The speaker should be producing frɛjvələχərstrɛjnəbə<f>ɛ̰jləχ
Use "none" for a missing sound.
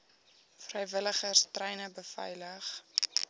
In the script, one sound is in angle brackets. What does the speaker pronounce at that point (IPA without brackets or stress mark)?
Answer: f